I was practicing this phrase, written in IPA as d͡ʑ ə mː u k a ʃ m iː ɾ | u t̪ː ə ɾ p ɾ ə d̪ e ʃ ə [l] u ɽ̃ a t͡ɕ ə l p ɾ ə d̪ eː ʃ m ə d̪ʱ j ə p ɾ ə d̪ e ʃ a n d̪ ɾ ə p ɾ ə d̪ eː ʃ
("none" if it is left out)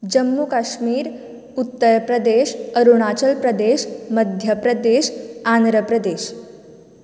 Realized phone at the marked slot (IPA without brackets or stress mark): ɾ